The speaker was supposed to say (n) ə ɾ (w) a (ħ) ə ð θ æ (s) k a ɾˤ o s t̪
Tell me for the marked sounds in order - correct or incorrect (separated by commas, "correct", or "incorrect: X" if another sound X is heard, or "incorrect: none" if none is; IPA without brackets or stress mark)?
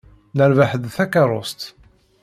correct, incorrect: v, correct, incorrect: none